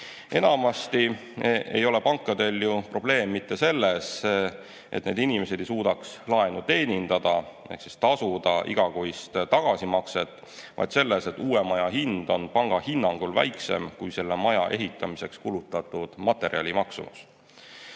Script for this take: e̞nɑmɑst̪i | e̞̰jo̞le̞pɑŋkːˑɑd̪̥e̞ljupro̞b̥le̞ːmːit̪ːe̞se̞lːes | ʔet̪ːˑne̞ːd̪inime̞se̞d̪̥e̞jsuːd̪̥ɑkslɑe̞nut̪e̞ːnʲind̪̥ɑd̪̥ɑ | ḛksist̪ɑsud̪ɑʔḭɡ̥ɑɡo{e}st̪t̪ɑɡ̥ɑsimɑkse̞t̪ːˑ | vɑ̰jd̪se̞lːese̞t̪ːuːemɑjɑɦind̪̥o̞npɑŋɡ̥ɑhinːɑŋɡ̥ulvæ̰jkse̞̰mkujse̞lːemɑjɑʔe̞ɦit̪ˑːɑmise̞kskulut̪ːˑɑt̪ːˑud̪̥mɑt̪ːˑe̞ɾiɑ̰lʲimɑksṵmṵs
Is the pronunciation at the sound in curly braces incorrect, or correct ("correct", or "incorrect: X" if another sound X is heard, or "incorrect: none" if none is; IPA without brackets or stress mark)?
incorrect: i